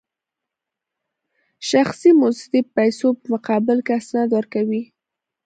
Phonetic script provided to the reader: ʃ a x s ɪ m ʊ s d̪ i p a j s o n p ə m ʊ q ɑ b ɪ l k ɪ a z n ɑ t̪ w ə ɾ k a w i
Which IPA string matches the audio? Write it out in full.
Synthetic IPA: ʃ a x s i m ʊ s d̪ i p a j s o p ə m ʊ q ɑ b ɪ l k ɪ a s n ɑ d̪ w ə ɾ k a w i